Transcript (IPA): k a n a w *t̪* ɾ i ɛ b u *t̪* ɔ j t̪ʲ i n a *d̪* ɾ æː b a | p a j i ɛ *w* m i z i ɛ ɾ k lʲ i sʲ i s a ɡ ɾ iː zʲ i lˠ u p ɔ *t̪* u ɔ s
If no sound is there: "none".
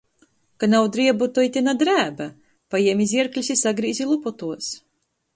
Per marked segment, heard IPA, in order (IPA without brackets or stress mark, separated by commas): d̪, t̪, d̪, none, t̪